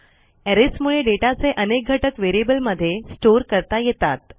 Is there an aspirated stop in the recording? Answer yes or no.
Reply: no